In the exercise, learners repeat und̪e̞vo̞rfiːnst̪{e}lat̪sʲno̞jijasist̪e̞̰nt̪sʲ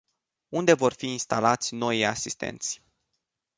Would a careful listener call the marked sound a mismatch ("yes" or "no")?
yes